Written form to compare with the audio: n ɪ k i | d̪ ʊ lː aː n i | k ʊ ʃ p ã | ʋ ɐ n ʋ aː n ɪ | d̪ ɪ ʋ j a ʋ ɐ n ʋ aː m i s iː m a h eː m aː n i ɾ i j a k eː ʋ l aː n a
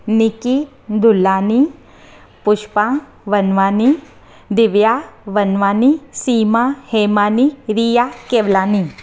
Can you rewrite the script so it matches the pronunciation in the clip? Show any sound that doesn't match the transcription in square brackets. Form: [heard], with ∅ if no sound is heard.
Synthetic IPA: n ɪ k i | d̪ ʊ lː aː n i | [p] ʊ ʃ p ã | ʋ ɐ n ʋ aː n [i] | d̪ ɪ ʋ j a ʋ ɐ n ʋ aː [n] i s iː m a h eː m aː n i ɾ i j a k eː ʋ l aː n [i]